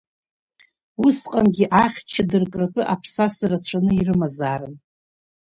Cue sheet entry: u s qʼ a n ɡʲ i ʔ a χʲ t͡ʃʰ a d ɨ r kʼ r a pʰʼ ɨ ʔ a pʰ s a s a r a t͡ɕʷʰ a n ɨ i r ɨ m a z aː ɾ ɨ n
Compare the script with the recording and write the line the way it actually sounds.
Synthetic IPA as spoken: u s qʼ a n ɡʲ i ʔ a χʲ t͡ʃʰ a d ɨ r kʼ r a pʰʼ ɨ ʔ a pʰ s a s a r a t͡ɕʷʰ a n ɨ i r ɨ m a z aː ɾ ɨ n